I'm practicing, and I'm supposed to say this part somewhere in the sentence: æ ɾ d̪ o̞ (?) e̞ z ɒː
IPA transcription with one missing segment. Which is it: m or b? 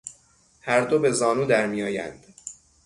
b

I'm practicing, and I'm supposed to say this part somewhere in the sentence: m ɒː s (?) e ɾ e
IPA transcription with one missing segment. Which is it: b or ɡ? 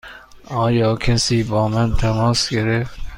ɡ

